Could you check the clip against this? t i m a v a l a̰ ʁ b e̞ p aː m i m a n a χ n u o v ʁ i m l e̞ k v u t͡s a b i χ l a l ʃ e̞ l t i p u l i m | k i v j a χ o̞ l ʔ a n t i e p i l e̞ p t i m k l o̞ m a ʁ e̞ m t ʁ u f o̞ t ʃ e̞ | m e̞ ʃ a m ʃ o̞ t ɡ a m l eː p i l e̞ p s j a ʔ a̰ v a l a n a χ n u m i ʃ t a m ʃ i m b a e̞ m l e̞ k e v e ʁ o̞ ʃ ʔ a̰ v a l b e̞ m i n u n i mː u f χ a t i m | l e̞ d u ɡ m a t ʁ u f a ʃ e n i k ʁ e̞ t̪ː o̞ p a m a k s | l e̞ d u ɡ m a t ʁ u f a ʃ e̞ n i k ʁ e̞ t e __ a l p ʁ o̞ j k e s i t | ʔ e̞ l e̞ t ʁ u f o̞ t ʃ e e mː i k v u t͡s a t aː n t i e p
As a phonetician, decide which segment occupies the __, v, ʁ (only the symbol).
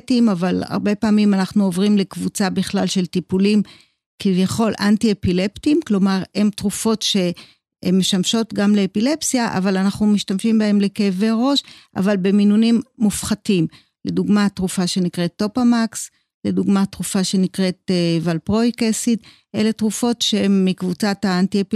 v